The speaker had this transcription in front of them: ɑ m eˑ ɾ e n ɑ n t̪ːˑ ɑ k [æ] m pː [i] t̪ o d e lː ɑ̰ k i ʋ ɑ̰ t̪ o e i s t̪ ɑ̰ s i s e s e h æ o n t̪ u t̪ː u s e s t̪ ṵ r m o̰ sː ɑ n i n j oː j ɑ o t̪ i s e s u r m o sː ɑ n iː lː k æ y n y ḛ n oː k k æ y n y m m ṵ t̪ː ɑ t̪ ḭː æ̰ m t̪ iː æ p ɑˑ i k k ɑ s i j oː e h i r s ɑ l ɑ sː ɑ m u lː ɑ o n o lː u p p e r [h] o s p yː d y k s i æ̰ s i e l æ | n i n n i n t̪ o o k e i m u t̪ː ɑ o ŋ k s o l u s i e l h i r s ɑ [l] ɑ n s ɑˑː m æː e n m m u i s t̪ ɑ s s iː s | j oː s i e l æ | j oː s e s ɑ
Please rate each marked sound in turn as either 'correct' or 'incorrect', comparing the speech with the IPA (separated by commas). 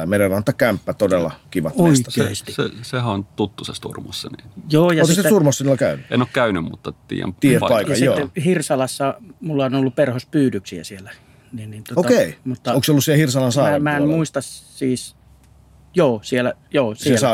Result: correct, incorrect, correct, correct